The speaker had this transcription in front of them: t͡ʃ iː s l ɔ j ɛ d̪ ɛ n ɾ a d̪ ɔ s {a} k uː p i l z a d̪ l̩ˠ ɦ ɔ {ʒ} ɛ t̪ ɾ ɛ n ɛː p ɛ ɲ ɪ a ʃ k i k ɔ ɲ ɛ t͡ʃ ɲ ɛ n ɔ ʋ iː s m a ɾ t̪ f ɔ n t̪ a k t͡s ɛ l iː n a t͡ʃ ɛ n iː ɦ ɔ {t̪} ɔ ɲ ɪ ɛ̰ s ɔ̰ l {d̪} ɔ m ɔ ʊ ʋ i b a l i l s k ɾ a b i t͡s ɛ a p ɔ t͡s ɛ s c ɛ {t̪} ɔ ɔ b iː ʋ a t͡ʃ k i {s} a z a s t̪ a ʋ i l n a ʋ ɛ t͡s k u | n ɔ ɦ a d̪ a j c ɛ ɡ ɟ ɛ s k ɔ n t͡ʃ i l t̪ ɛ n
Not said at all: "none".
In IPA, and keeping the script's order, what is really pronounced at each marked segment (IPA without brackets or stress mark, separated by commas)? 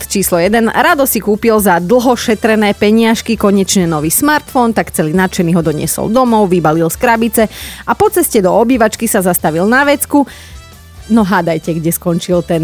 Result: i, ʃ, d̪, d̪, d̪, s